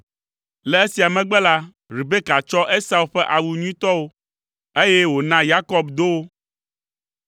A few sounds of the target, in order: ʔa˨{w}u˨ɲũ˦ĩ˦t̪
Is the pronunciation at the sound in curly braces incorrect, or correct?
correct